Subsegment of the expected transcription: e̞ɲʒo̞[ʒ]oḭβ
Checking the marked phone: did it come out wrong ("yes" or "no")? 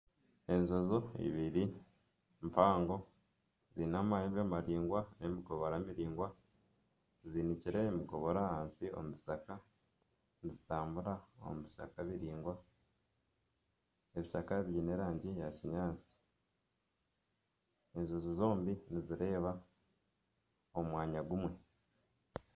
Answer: yes